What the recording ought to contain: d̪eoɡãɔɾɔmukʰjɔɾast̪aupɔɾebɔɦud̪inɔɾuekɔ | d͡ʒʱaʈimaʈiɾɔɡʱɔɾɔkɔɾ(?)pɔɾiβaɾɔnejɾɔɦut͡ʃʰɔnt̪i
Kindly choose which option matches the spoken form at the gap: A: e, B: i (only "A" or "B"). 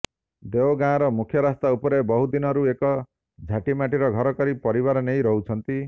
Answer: B